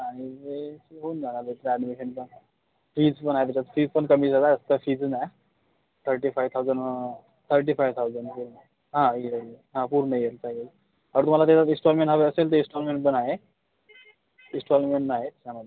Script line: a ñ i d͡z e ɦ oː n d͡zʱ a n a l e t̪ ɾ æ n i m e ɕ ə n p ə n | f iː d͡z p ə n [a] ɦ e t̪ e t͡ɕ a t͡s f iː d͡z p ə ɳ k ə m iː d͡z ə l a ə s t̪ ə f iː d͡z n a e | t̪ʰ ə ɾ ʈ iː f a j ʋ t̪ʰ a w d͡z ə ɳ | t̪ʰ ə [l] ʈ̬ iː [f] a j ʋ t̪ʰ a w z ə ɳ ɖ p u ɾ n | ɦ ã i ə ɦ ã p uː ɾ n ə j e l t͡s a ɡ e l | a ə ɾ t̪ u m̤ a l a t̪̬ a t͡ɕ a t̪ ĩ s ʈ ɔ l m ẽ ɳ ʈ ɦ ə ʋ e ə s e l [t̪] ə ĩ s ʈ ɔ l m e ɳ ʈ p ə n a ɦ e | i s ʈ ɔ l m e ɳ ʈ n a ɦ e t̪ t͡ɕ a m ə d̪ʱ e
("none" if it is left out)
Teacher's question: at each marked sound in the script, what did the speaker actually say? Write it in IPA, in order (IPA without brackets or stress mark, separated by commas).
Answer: a, ɾ, f, t̪